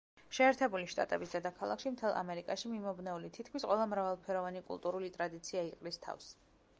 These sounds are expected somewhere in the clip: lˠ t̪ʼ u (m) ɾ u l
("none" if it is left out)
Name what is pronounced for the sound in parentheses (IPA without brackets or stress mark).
none